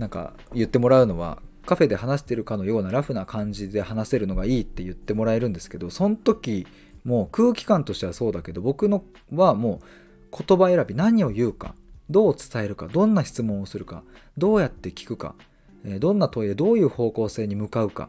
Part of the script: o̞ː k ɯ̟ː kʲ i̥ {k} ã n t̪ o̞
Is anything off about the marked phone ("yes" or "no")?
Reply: no